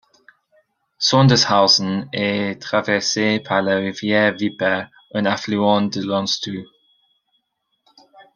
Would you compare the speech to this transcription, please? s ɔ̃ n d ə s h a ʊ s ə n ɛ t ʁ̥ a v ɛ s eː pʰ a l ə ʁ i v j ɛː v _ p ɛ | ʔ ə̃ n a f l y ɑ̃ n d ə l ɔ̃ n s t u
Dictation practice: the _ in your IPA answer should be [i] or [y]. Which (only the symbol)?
i